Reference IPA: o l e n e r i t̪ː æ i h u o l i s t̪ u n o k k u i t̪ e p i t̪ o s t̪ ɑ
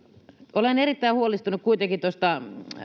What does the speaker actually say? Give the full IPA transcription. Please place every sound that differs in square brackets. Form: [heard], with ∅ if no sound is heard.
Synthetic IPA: o l e n e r i t̪ː æ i h u o l i s t̪ u n [u] k k u i t̪ e [k] i t̪ o s t̪ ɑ